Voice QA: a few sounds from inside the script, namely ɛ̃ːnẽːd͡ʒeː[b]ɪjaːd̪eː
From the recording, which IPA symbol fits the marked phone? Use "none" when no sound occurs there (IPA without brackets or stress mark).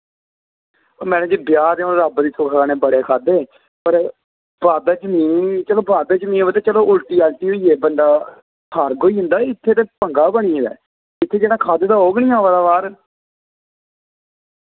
b